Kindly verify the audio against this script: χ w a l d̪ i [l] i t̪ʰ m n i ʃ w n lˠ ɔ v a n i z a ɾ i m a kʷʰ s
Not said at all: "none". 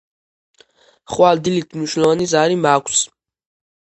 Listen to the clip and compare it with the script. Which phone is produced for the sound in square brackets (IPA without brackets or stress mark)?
l